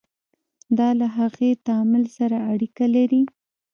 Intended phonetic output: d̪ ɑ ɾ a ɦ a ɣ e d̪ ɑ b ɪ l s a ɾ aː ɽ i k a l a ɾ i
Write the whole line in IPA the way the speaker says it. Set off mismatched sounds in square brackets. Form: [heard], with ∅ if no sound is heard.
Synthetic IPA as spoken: d̪ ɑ [l] a ɦ a ɣ e [t̪] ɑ [m] ɪ l s a ɾ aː ɽ i k a l a ɾ i